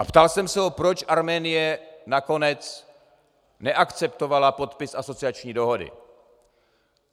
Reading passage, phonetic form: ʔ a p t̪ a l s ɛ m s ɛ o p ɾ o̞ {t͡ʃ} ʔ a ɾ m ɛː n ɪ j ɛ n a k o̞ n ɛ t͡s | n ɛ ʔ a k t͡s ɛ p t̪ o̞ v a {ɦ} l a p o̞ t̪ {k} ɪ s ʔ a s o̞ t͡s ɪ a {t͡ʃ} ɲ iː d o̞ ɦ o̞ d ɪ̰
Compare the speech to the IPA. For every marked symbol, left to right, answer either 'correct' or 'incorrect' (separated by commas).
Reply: correct, incorrect, incorrect, correct